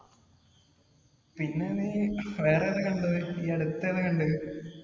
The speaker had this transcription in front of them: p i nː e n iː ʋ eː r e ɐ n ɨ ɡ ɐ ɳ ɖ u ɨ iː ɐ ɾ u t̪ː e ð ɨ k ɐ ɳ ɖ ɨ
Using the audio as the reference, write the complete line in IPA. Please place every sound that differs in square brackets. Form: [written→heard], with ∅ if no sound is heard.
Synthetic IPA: p i nː e n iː ʋ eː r e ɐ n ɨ [ɡ→k] ɐ ɳ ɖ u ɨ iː ɐ [ɾ→ɽ] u t̪ː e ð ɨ k ɐ ɳ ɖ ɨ